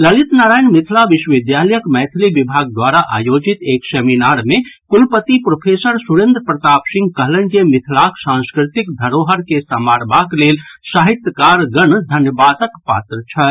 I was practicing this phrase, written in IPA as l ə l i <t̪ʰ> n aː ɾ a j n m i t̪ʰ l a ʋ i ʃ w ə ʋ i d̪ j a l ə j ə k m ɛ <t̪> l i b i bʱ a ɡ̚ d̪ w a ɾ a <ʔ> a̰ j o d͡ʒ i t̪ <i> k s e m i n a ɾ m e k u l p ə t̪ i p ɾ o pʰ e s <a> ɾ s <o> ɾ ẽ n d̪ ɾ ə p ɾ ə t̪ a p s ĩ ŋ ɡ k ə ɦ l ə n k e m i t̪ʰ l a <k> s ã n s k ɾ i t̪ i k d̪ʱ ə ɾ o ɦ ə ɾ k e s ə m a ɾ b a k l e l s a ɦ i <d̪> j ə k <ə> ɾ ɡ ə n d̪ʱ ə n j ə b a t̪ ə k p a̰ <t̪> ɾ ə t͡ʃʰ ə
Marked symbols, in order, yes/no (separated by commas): no, no, yes, no, no, no, yes, no, no, yes